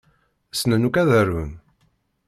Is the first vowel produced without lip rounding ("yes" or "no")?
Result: yes